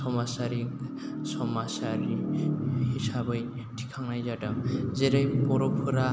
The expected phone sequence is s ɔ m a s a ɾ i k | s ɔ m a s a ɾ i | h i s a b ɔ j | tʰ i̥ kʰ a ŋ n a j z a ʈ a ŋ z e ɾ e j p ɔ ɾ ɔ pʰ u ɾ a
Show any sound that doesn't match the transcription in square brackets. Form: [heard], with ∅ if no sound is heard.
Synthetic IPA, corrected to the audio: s ɔ m a s a ɾ i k | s ɔ m a s a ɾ i | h i s a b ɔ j | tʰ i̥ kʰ a ŋ n a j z a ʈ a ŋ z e ɾ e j p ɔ ɾ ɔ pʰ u ɾ a